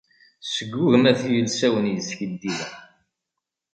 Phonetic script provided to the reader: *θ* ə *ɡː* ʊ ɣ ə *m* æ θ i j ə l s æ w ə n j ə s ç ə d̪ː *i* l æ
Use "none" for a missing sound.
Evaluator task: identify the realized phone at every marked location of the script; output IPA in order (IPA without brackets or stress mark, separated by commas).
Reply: s, ɡː, m, i